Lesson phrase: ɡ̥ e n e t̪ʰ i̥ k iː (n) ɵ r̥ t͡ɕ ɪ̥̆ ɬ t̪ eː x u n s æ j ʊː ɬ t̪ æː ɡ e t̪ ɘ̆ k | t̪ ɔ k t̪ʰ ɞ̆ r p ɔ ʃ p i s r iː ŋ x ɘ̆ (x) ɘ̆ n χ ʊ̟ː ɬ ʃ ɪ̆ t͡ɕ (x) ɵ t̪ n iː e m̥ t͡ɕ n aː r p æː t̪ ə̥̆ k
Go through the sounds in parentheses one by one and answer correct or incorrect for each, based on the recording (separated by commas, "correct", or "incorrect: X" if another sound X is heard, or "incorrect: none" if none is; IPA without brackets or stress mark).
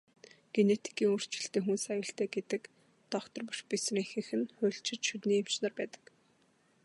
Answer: incorrect: ŋ, correct, incorrect: ʃ